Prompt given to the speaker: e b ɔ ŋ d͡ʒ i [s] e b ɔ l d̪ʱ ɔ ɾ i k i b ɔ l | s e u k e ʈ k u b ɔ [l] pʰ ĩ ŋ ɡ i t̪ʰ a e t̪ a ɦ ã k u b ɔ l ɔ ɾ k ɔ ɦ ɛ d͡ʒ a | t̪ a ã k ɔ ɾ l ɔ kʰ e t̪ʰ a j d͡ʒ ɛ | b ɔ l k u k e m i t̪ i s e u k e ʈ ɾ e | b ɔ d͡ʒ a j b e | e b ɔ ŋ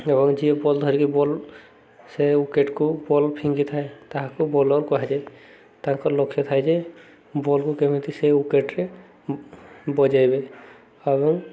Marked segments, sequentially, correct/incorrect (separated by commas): incorrect, correct